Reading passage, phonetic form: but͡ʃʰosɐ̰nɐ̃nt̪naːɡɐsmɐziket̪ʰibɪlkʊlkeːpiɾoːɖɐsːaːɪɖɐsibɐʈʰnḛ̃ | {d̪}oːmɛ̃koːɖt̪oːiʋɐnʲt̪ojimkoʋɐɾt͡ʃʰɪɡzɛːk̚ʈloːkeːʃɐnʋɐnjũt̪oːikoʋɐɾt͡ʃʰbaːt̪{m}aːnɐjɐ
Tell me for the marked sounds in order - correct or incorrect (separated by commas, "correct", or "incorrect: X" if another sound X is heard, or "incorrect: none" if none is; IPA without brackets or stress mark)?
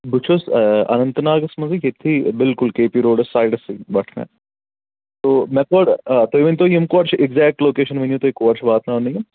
incorrect: t̪, incorrect: n